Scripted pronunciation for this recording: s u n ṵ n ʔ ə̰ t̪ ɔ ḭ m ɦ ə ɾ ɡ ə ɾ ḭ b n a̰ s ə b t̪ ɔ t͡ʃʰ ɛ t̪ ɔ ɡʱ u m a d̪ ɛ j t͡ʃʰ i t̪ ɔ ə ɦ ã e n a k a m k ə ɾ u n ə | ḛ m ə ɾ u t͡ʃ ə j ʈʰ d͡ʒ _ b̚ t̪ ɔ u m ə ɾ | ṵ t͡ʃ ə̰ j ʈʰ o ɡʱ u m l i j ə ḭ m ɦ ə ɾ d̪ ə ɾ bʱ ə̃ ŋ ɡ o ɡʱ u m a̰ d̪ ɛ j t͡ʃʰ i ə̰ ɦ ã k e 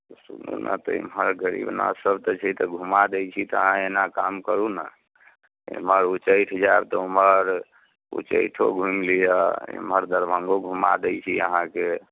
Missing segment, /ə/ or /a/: a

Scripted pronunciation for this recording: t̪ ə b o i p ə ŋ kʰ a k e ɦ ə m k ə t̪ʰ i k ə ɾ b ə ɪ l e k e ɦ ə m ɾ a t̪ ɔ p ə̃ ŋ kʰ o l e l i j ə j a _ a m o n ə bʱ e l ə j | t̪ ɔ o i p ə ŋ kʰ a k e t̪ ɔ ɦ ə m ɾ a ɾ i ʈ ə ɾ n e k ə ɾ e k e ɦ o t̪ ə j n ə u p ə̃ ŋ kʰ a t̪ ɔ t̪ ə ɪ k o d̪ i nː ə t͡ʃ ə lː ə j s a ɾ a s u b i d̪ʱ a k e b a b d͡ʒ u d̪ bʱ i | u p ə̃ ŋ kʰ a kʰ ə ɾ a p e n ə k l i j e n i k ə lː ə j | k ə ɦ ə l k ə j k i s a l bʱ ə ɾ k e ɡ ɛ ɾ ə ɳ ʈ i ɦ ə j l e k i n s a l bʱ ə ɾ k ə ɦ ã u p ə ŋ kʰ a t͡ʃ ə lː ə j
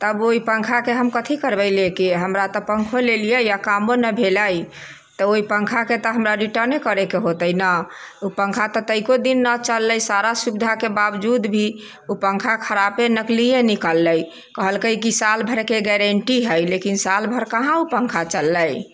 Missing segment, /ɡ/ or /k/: k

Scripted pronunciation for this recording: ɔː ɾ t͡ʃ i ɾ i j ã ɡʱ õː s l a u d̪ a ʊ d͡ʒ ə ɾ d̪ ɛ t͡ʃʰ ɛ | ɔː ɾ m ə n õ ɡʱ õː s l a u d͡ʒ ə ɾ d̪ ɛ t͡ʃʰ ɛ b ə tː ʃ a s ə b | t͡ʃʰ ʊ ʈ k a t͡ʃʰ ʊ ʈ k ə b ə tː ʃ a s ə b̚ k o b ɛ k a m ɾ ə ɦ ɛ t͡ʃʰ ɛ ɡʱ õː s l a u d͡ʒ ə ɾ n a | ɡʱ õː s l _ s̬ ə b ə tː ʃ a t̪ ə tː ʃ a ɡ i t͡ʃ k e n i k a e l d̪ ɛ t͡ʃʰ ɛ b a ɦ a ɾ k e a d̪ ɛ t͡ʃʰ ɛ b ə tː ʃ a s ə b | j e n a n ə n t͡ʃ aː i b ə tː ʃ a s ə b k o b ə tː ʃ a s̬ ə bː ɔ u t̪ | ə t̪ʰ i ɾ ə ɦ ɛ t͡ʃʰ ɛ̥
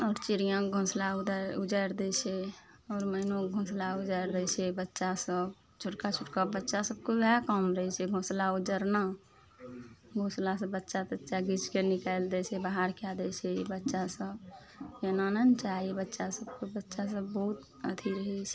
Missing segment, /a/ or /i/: a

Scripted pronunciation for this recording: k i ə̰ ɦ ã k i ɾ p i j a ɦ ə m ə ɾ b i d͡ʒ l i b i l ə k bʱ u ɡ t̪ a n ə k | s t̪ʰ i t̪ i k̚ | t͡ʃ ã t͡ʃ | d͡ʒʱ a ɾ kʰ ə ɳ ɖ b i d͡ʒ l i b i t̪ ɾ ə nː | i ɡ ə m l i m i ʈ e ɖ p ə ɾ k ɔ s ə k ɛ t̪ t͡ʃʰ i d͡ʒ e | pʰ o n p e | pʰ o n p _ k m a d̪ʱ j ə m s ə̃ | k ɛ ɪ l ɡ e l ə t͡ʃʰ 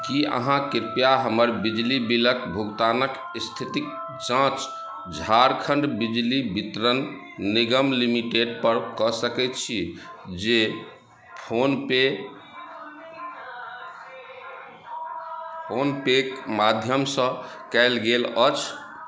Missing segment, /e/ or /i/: e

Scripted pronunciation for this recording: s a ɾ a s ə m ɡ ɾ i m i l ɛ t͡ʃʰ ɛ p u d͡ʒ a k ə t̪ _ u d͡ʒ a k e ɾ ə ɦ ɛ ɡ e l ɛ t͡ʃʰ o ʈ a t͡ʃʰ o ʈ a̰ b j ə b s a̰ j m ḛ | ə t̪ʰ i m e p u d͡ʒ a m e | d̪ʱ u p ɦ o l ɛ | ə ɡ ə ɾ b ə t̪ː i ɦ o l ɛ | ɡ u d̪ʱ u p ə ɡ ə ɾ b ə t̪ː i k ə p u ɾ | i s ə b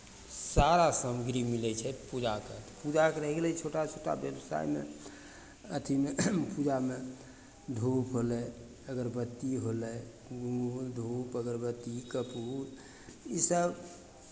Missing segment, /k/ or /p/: p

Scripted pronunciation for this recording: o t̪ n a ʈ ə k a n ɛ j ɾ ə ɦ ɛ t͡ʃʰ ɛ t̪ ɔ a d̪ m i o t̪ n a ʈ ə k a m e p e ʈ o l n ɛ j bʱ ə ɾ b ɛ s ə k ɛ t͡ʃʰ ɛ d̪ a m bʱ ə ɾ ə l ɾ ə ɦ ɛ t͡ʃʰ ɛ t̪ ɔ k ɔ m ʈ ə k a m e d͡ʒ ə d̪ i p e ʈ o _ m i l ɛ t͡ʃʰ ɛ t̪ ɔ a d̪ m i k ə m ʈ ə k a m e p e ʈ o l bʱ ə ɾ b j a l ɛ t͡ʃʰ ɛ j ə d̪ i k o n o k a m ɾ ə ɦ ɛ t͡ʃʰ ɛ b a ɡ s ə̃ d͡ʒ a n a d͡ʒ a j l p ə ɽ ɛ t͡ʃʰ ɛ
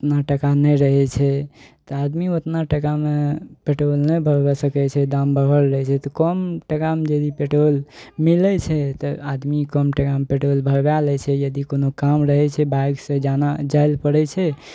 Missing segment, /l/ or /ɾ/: l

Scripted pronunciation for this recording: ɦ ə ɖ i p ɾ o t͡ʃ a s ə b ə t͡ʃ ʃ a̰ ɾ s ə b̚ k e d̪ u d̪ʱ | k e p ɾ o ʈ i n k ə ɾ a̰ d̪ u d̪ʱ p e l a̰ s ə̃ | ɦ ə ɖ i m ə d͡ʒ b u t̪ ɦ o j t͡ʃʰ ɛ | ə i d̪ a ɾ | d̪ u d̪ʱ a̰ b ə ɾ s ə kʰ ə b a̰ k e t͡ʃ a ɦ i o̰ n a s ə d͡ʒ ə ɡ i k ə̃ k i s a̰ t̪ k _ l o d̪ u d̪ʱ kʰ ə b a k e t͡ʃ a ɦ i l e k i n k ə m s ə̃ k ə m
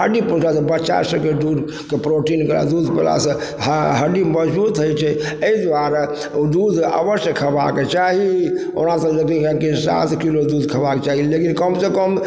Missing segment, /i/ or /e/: i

